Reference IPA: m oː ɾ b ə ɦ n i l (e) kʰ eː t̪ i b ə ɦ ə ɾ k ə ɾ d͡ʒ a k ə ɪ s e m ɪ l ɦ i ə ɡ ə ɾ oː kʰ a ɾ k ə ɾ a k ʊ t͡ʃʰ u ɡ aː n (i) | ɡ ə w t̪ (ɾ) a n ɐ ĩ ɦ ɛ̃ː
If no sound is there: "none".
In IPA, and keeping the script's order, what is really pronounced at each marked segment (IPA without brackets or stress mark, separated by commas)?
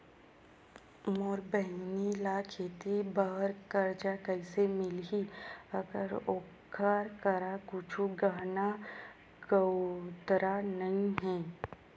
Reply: a, a, ɾ